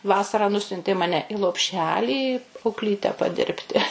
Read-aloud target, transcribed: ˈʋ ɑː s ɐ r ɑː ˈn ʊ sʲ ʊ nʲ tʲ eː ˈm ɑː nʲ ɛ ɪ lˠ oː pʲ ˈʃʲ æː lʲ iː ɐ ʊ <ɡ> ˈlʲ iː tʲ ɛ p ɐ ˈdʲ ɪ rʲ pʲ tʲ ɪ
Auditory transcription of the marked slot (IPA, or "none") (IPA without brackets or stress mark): k